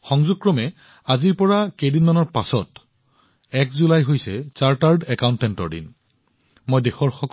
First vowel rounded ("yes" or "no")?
yes